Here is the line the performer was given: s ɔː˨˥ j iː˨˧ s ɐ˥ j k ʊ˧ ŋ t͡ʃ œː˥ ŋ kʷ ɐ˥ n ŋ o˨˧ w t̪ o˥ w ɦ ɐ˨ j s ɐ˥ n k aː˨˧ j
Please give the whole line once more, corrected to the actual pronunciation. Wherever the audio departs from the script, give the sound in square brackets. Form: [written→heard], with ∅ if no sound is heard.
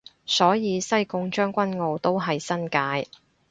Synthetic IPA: s ɔː˨˥ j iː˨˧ s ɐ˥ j k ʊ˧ ŋ t͡ʃ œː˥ ŋ kʷ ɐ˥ n ŋ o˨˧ w t̪ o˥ w ɦ ɐ˨ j s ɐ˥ n k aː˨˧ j